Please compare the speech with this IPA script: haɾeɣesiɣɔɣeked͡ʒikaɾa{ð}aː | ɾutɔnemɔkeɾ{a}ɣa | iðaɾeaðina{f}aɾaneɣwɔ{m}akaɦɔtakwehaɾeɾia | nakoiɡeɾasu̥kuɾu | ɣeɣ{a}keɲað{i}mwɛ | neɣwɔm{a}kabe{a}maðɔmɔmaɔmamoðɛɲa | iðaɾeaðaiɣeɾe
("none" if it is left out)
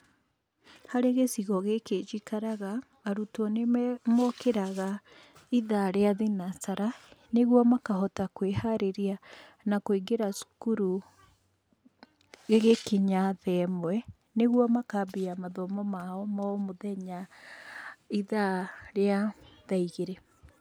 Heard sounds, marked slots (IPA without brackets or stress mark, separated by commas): ɣ, a, s, m, e, ɛ, a, a